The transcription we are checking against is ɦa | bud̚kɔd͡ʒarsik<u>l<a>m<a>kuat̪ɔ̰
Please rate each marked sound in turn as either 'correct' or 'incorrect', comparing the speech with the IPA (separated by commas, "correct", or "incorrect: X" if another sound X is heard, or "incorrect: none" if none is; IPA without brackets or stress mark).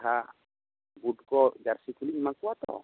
correct, incorrect: i, correct